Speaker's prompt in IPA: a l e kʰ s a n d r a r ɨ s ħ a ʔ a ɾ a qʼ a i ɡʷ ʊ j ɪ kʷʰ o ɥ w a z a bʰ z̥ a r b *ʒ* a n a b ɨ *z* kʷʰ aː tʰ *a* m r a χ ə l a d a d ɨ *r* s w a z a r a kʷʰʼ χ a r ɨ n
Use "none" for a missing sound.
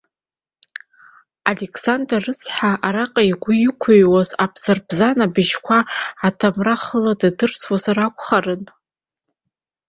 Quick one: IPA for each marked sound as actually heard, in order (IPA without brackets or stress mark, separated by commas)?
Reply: z, ʒ, a, r